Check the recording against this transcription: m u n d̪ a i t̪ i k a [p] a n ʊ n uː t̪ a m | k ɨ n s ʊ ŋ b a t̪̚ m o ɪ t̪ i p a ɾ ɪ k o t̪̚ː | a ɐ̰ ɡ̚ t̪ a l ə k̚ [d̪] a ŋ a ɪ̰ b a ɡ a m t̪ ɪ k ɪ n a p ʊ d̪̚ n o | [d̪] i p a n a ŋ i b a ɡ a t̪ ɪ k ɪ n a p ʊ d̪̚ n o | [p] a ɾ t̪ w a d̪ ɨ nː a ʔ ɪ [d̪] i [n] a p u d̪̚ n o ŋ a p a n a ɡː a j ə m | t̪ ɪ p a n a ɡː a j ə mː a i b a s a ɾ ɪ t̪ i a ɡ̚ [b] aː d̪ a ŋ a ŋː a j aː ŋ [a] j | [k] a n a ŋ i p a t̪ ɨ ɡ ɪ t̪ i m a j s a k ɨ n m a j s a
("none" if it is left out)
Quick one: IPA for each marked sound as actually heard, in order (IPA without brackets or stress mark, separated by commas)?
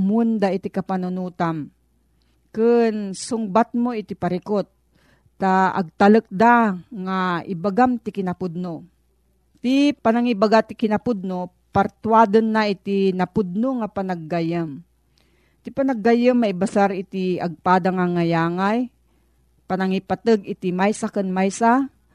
p, d̪, t̪, p, t̪, n, p, a, p